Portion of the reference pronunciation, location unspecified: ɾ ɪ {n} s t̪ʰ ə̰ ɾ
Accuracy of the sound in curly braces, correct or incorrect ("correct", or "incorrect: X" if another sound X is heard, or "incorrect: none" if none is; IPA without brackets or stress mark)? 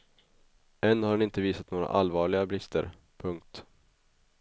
incorrect: none